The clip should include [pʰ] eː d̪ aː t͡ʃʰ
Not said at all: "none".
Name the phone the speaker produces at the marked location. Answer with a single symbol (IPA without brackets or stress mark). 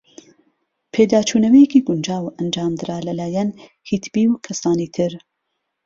pʰ